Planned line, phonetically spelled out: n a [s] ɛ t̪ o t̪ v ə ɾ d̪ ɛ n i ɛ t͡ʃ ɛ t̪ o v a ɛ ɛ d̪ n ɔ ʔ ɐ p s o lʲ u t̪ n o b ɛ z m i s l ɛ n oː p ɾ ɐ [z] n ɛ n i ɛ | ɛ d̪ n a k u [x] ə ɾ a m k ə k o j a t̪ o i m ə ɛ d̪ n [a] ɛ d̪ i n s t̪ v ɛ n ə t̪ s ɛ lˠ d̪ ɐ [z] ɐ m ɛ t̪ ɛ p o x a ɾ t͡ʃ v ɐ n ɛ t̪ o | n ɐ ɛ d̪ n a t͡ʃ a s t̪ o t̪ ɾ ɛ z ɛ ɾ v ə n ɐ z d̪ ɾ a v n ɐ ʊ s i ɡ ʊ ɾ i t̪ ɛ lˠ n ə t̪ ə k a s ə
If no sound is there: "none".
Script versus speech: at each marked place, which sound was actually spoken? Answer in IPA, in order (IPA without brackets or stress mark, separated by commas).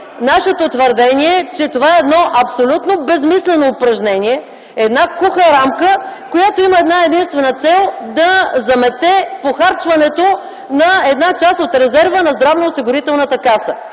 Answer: ʃ, ʒ, x, a, z